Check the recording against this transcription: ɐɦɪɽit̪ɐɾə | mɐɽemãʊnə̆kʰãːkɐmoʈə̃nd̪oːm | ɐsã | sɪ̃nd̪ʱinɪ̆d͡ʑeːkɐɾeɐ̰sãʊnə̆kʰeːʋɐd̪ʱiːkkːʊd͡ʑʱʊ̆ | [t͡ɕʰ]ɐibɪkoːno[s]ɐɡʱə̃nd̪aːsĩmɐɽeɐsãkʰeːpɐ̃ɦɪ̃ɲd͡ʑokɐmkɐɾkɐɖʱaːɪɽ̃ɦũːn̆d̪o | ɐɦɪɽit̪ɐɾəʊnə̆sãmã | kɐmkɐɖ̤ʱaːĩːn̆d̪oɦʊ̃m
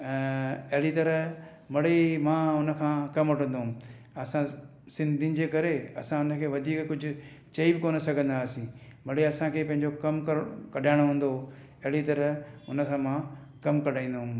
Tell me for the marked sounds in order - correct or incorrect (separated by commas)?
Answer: incorrect, correct